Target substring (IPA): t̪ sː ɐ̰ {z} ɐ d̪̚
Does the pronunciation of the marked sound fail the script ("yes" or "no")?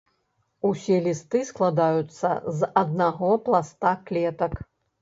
no